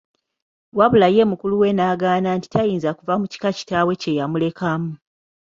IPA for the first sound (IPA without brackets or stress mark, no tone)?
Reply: w